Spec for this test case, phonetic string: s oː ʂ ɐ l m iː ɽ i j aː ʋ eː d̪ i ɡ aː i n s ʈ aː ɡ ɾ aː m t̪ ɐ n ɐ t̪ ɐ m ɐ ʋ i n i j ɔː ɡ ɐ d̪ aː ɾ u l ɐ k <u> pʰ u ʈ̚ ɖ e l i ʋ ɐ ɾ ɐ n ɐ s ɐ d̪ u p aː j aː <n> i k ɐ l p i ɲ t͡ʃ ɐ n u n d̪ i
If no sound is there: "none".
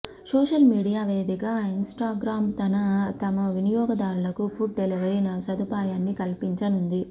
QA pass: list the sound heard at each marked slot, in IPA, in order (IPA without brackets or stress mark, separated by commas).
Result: u, nː